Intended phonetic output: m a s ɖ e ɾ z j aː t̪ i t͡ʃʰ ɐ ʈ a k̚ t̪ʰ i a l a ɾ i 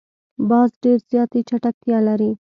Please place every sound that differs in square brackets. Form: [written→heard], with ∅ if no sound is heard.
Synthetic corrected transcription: [m→b] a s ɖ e ɾ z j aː t̪ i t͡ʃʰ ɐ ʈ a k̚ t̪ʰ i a l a ɾ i